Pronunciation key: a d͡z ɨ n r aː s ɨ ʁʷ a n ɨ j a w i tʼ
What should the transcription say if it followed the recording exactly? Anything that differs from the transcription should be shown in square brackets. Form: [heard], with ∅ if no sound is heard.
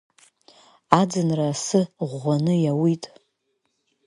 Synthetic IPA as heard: a d͡z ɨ n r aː s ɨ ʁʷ a n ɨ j a w i tʼ